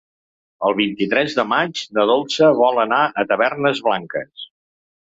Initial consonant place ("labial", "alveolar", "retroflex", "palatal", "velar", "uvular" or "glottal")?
alveolar